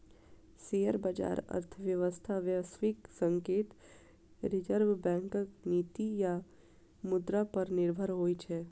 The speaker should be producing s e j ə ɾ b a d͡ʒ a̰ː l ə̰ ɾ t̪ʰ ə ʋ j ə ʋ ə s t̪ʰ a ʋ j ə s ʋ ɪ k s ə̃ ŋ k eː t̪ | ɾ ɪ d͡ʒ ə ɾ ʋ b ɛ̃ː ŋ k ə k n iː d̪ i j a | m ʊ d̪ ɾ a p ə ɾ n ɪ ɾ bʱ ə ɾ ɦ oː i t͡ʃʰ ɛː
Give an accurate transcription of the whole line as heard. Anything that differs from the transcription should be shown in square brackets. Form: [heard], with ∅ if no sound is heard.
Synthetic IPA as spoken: s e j ə ɾ b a d͡ʒ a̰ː [ɾ] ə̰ ɾ t̪ʰ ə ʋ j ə ʋ ə s t̪ʰ a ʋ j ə s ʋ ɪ k s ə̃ ŋ k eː t̪ | ɾ ɪ d͡ʒ ə ɾ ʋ b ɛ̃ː ŋ k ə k n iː [t̪] i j a | m ʊ d̪ ɾ a p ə ɾ n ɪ ɾ bʱ ə ɾ ɦ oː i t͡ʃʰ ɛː